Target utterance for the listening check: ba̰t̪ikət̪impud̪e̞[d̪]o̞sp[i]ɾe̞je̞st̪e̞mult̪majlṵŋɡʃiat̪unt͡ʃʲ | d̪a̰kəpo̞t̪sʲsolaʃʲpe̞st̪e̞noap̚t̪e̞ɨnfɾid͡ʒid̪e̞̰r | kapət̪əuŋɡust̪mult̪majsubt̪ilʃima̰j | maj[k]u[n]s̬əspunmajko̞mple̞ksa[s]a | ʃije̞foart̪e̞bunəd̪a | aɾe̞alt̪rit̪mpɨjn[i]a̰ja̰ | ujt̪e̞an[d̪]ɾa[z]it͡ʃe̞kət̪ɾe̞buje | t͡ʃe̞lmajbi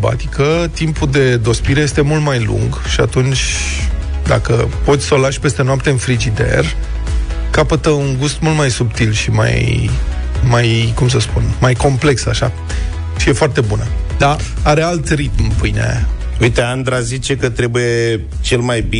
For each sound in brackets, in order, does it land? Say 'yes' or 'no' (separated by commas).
yes, yes, yes, no, no, no, yes, yes